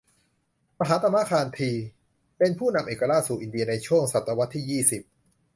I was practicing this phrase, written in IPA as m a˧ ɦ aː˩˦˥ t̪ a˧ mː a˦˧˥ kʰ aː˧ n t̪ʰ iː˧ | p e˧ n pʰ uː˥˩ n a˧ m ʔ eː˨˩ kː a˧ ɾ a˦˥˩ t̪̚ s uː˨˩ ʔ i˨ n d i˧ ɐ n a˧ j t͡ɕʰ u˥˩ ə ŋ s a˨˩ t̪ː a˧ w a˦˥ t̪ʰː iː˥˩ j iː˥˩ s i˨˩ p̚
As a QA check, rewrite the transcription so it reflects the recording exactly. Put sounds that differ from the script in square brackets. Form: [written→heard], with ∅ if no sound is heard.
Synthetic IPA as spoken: m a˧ ɦ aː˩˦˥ t̪ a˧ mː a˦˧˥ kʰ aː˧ n t̪ʰ iː˧ | p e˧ n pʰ uː˥˩ n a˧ m ʔ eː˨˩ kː a˧ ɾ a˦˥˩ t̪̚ s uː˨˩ ʔ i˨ n d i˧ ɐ n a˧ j t͡ɕʰ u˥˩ ə ŋ s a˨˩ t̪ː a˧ w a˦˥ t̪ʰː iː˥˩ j iː˥˩ s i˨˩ p̚